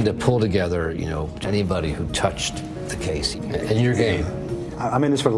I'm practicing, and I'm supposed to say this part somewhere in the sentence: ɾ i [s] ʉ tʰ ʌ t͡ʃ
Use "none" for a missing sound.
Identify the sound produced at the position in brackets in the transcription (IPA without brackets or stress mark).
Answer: h